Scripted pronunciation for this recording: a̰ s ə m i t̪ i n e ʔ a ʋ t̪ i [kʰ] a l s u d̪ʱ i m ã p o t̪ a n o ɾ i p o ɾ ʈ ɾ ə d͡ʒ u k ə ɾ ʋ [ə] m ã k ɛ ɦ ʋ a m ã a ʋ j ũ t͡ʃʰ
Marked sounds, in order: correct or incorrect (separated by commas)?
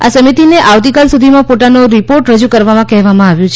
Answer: incorrect, incorrect